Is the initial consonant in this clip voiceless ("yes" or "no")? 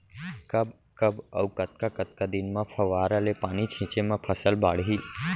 yes